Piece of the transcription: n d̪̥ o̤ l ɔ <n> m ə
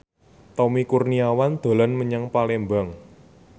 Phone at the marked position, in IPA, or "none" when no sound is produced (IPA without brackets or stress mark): n